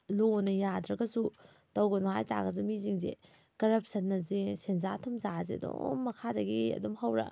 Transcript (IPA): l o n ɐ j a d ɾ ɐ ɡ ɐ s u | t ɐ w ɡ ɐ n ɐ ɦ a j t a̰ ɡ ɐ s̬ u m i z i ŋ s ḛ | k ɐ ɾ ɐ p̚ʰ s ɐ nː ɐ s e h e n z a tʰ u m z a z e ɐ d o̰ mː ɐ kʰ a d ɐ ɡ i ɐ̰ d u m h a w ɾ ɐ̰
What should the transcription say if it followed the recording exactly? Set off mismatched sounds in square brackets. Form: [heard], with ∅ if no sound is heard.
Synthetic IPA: l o n ɐ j a d ɾ ɐ ɡ ɐ s u | t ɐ w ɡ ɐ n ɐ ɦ a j t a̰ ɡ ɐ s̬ u m i z i ŋ [z] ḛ | k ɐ ɾ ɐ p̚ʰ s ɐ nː ɐ [z] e [s] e n z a tʰ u m z a z e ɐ d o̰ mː ɐ kʰ a d ɐ ɡ i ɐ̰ d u m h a w ɾ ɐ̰